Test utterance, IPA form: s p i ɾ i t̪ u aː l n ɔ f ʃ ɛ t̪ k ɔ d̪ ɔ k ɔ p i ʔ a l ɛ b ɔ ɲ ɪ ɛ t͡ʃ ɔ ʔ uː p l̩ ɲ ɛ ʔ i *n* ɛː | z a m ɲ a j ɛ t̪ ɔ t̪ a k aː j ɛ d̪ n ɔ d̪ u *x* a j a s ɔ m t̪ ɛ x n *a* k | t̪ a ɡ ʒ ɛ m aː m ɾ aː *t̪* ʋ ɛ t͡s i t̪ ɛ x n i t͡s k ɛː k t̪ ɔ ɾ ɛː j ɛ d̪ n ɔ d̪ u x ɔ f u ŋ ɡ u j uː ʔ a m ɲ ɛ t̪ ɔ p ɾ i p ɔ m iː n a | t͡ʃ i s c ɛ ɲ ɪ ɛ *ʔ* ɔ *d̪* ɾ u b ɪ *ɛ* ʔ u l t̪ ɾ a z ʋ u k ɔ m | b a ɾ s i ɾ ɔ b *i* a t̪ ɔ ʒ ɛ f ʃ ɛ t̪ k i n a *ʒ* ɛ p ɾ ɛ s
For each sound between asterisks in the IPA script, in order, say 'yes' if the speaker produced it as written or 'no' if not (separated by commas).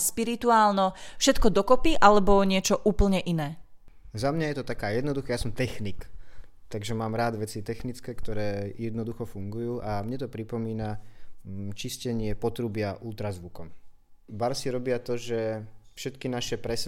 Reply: yes, yes, no, no, no, no, no, no, no